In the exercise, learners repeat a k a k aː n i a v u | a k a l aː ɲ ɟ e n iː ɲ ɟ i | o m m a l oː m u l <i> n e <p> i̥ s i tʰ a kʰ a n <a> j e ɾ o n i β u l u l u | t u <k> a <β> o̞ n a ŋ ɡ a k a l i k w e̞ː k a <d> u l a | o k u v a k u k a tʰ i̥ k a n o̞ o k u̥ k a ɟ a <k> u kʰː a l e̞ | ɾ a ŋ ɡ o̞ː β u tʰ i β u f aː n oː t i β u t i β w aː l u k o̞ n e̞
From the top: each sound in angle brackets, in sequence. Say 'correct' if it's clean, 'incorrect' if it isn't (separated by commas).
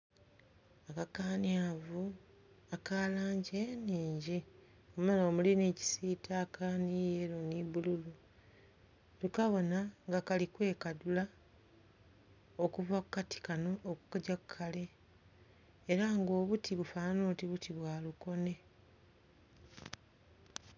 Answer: correct, incorrect, incorrect, correct, correct, correct, correct